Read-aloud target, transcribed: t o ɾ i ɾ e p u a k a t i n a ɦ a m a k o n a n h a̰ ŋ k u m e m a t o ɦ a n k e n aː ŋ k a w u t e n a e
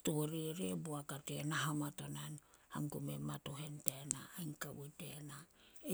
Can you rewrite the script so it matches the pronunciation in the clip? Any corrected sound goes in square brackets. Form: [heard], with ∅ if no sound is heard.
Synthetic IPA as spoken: t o ɾ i ɾ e [b] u a k a t [e] n a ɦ a m a [t] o n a n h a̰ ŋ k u m e m a t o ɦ [e] n [t] e n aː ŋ k a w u t e n a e

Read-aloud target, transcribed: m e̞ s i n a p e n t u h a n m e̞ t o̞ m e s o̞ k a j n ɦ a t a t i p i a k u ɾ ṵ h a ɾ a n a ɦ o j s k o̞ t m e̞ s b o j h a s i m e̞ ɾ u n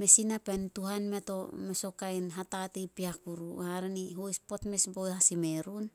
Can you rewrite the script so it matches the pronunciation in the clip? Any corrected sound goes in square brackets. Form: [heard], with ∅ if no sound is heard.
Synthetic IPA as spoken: m e̞ s i n a p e n t u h a n m e̞ t o̞ m e s o̞ k a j n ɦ a t a t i p i a k u ɾ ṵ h a ɾ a n [i] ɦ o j s [p] o̞ t m e̞ s b o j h a s i m e̞ ɾ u n

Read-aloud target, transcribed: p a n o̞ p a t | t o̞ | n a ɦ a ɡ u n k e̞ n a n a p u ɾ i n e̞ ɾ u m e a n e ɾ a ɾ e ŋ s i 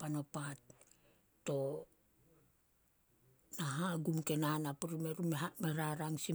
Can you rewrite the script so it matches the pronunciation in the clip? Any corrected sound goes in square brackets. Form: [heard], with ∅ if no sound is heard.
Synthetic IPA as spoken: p a n o̞ p a t | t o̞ | n a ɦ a ɡ u [m] k e̞ n a n a p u ɾ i [m] e̞ ɾ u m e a [m] e ɾ a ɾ [a] ŋ s i

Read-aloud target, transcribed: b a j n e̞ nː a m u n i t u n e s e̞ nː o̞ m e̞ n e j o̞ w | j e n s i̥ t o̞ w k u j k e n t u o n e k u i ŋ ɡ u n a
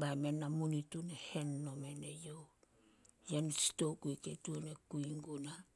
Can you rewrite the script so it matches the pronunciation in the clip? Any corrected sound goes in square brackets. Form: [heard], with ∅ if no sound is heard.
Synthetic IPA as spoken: b a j [m] e̞ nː a m u n i t u n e [h] e̞ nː o̞ m e̞ n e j o̞ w | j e n s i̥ t o̞ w k u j k e [∅] t u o n e k u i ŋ ɡ u n a

